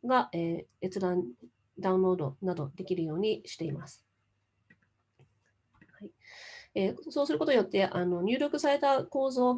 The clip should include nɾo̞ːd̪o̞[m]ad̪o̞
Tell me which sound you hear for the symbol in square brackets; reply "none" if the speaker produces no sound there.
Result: n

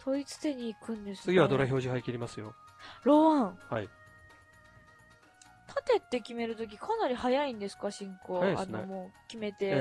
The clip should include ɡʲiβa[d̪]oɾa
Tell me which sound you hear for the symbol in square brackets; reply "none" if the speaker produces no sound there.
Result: d̪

